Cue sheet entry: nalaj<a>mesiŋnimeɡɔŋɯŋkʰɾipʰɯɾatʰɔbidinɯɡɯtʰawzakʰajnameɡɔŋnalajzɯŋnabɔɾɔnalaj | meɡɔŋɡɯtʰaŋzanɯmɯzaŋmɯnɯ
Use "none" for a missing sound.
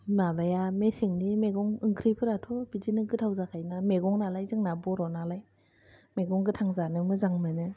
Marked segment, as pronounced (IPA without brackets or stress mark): a